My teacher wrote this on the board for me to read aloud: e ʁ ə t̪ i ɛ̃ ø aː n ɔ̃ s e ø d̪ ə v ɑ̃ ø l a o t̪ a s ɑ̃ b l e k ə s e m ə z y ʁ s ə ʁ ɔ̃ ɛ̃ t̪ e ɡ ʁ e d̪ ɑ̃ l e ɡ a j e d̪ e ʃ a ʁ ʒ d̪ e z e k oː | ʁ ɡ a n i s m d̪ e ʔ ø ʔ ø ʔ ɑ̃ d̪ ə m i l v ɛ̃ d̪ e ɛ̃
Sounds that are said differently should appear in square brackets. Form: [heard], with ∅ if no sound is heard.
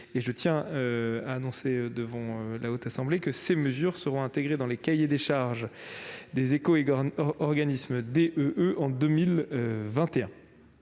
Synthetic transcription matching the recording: e [ʒ] ə t̪ [j] ɛ̃ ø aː n ɔ̃ s e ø d̪ ə v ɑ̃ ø l a o t̪ a s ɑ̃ b l e k ə s e m ə z y ʁ s ə ʁ ɔ̃ ɛ̃ t̪ e ɡ ʁ e d̪ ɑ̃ l e [k] a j e d̪ e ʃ a ʁ ʒ d̪ e z e k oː | ʁ ɡ a n i s m d̪ e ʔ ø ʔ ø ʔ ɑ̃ d̪ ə m i l v ɛ̃ [t̪] e ɛ̃